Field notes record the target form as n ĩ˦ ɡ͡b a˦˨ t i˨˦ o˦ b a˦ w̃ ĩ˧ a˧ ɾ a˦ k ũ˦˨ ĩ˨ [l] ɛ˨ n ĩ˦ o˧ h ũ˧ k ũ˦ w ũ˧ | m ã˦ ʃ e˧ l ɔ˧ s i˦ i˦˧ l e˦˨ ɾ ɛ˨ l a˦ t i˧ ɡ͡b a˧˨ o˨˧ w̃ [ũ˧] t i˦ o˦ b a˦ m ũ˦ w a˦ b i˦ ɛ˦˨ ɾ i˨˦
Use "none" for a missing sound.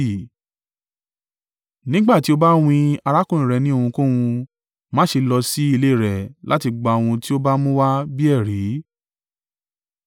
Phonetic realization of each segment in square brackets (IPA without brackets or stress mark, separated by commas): ɾ, ũ˧